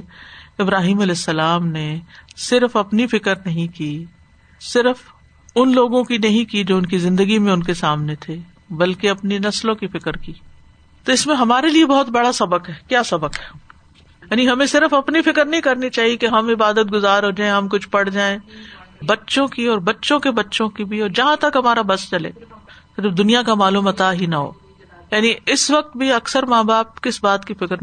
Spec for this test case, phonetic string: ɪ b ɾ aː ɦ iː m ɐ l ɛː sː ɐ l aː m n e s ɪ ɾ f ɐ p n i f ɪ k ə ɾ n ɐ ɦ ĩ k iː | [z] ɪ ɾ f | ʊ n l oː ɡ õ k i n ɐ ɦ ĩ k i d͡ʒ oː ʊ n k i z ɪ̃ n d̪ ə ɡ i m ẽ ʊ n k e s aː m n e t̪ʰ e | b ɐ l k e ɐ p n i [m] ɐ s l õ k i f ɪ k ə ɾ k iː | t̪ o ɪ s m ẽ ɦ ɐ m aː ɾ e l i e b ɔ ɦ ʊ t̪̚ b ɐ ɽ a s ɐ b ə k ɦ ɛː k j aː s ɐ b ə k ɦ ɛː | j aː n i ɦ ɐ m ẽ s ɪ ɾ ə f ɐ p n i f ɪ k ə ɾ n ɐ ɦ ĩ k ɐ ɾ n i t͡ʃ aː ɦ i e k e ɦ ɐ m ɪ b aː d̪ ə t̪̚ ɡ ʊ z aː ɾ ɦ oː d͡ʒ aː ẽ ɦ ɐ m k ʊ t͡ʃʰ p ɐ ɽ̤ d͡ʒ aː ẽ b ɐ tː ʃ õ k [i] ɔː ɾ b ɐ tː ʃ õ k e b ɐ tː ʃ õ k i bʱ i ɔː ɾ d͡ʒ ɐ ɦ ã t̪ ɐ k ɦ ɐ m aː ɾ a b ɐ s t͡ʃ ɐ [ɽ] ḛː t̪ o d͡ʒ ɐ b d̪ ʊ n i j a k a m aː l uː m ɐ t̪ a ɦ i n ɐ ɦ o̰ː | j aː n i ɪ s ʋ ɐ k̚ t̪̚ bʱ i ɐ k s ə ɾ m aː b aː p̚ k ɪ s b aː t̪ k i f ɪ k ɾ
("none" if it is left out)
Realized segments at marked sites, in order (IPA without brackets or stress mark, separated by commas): s, n, i, l